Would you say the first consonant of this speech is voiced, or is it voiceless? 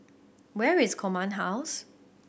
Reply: voiced